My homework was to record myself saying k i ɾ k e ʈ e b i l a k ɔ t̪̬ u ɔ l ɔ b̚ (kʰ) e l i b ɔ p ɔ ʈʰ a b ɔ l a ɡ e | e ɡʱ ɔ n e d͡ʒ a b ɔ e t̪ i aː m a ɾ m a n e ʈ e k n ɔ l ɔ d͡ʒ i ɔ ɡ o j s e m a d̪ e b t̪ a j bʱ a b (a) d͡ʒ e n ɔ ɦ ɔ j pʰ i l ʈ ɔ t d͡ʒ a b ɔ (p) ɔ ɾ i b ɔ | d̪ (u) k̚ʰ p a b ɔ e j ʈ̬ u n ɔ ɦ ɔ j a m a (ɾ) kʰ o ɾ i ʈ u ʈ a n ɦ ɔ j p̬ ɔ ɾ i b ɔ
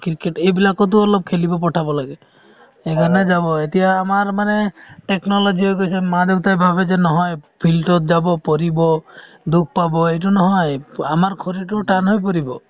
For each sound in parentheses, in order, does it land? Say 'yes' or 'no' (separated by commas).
yes, no, yes, yes, yes